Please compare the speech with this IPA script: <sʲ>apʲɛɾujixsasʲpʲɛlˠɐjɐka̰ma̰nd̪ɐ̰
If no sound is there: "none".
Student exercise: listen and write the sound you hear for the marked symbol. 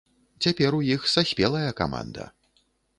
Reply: t͡sʲ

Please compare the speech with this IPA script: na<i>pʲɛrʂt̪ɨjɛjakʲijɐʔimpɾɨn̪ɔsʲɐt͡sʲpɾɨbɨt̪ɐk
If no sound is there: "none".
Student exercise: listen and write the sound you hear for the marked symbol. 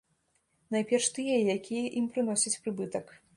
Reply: j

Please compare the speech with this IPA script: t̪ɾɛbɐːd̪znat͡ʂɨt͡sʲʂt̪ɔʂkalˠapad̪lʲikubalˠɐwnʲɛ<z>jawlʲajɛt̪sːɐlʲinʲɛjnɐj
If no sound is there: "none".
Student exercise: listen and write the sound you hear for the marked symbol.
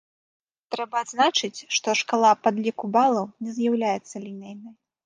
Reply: z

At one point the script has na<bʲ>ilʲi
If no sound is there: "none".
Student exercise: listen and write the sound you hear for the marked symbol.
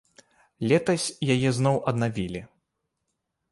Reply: vʲ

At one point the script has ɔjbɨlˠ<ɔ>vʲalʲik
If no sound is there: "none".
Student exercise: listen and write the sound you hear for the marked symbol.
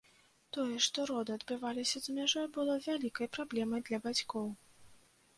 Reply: ɔ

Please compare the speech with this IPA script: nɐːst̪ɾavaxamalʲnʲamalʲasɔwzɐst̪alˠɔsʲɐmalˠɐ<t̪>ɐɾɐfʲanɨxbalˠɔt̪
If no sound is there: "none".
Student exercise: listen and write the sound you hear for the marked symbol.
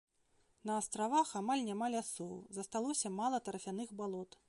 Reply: t̪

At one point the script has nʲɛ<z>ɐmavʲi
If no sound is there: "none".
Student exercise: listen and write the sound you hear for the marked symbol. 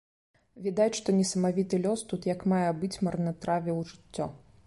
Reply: s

